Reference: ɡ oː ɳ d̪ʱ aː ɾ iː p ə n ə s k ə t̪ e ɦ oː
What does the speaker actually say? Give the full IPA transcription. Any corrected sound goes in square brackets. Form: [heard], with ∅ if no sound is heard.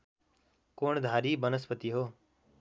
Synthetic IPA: [k] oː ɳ d̪ʱ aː ɾ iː [b] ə n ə s [p] ə t̪ [i] ɦ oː